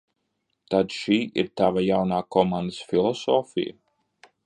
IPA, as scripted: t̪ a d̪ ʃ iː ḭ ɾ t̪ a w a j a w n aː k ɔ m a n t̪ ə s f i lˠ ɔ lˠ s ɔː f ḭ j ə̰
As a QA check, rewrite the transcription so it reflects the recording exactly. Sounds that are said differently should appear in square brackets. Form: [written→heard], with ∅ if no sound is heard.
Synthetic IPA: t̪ a d̪ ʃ iː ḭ ɾ t̪ a [w→v] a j a w n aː k ɔ m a n [t̪→d̪] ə s f i lˠ ɔ [lˠ→∅] s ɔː f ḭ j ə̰